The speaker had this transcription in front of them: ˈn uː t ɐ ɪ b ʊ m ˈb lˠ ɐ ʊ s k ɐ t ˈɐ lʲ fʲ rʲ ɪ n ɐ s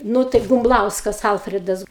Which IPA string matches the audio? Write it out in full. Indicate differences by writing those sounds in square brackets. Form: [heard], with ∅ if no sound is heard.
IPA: ˈn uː t ɐ ɪ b ʊ m ˈb lˠ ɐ ʊ s k ɐ [s] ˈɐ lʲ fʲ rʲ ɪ [d] ɐ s